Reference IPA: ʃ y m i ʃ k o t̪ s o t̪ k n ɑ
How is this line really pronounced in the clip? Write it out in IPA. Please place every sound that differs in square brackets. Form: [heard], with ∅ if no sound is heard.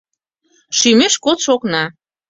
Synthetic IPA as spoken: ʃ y m [e] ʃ k o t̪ [ʃ] o [∅] k n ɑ